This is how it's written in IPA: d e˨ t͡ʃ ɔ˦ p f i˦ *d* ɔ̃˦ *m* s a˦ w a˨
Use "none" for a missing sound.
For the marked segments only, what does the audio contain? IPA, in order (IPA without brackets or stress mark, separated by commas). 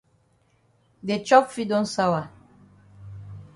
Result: d, n